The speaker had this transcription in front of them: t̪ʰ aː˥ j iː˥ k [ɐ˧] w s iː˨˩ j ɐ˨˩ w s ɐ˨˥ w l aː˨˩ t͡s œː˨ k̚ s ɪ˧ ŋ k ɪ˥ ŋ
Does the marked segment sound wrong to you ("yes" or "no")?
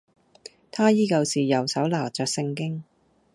no